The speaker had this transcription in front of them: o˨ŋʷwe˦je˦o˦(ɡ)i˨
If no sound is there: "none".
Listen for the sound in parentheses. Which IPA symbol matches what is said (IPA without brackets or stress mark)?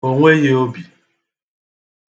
b